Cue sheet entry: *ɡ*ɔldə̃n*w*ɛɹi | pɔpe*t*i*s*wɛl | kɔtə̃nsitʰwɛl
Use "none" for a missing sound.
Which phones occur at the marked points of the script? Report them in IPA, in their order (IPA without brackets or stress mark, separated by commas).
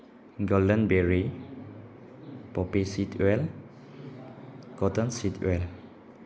ɡ, b, s, t